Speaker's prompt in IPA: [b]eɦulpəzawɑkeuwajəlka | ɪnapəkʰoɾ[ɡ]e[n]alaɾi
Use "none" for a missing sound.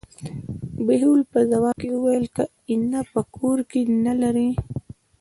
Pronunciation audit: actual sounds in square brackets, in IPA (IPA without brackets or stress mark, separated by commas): b, k, n